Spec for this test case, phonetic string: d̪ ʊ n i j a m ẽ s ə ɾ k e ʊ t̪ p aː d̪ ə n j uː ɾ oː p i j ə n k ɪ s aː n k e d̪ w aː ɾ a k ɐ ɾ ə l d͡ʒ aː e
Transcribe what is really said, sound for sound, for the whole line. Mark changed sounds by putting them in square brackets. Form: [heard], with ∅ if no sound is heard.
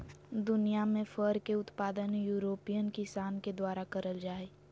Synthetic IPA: d̪ ʊ n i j a m ẽ [f] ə ɾ k e ʊ t̪ p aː d̪ ə n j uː ɾ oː p i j ə n k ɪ s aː n k e d̪ w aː ɾ a k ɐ ɾ ə l d͡ʒ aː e